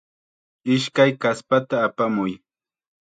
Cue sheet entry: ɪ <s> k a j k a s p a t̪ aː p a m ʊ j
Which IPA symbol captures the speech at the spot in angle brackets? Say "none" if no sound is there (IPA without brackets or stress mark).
ʃ